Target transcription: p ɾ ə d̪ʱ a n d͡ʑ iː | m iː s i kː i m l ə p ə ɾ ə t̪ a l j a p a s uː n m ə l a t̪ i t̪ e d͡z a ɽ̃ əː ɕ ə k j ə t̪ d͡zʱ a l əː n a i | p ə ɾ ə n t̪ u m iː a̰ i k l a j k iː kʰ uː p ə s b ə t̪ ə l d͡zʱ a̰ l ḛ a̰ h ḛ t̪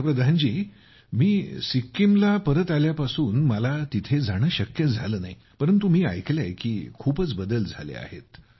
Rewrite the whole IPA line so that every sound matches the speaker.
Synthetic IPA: p ɾ ə d̪ʱ a n d͡ʑ iː | m iː s i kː i m l a p ə ɾ ə t̪ a l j a p a s uː n m ə l a t̪ i t̪ʰ e d͡z a ɽ̃ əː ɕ ə k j ə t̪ d͡zʱ a l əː n a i | p ə ɾ ə n t̪ u m iː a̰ j k l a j k iː kʰ uː p ə t͡s b ə d̪ ə l d͡zʱ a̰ l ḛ a̰ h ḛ t̪

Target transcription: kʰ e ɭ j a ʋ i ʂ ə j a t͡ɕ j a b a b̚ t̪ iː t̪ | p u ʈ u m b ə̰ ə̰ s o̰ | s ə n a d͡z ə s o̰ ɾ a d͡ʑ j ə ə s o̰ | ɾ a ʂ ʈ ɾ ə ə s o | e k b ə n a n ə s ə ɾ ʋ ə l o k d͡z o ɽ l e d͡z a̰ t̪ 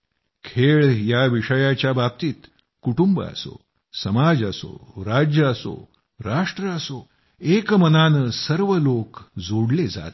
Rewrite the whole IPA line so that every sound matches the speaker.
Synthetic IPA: kʰ e ɭ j a ʋ i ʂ ə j a t͡ɕ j a b a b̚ t̪ iː t̪ | k u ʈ u m b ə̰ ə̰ s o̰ | s ə m a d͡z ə s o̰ ɾ a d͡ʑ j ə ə s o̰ | ɾ a ʂ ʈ ɾ ə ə s o | e k m ə n a n ə s ə ɾ ʋ ə l o k d͡z o ɽ l e d͡z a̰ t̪

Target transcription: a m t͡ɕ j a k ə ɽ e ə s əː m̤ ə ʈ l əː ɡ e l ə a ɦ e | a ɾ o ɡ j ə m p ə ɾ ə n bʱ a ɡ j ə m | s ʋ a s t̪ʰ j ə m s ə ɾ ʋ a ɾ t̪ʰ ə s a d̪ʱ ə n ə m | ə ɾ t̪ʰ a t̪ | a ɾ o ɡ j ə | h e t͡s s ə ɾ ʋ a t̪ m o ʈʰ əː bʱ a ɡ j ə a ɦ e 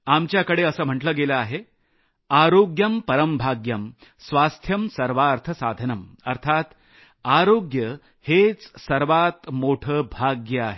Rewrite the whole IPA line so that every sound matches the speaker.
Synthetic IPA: a m t͡ɕ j a k ə ɽ e ə s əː m̤ ə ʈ l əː ɡ e l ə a ɦ e | a ɾ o ɡ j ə m p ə ɾ ə m bʱ a ɡ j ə m | s ʋ a s t̪ʰ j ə m s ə ɾ ʋ a ɾ t̪ʰ ə s a d̪ʱ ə n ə m | ə ɾ t̪ʰ a t̪ | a ɾ o ɡ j ə | h e t͡s s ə ɾ ʋ a t̪ m o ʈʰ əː bʱ a ɡ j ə a ɦ e

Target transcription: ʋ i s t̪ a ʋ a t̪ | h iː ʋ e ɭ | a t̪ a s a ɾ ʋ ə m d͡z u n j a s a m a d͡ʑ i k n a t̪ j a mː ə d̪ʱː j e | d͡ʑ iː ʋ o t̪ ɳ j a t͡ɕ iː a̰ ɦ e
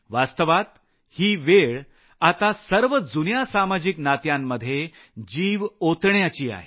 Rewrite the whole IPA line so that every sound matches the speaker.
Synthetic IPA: ʋ a s t̪ ə ʋ a t̪ | h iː ʋ e ɭ | a t̪ a s ə ɾ ʋ ə d͡z u n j a s a m a d͡ʑ i k n a t̪ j a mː ə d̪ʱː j e | d͡ʑ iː ʋ o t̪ ɳ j a t͡ɕ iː a̰ ɦ e

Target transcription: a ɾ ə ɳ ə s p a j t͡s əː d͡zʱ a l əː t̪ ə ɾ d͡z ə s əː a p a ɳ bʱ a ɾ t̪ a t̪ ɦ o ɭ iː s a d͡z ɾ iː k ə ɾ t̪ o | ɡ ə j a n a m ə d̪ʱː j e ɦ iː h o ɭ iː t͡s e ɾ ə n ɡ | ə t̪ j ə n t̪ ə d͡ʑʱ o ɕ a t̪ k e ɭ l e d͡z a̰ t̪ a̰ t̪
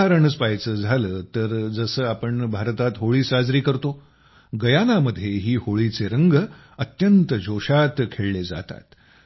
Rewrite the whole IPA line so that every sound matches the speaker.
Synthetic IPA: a ɾ ə ɳ ə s p a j t͡s əː d͡zʱ a l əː t̪ ə ɾ d͡z ə s əː a p ə ɳ bʱ a ɾ t̪ a t̪ ɦ o ɭ iː s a d͡z ɾ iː k ə ɾ t̪ o | ɡ ə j a n a m ə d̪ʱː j e ɦ iː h o ɭ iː t͡s e ɾ ə ŋ ɡ | ə t̪ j ə n t̪ ə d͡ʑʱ o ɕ a t̪ kʰ e ɭ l e d͡z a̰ t̪ a̰ t̪

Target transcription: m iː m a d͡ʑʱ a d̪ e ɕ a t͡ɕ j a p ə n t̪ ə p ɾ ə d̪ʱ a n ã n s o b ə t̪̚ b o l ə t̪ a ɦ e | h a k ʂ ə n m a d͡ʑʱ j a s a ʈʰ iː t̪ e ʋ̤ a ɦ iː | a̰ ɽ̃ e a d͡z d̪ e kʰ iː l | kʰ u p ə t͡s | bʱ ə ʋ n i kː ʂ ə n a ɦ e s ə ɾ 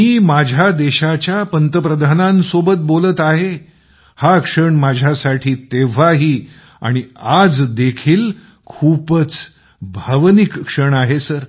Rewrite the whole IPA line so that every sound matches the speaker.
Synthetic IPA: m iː m a d͡ʑʱ a d̪ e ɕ a t͡ɕ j a p ə n t̪ ə p ɾ ə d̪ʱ a n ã n s o b ə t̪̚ b o l ə t̪ a ɦ e | h a k ʂ ə ɳ m a d͡ʑʱ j a s a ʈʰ iː t̪ e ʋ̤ a ɦ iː | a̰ ɽ̃ i a d͡z d̪ e kʰ iː l | kʰ u p ə t͡s | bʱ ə ʋ n i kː ʂ ə ɳ a ɦ e s ə ɾ

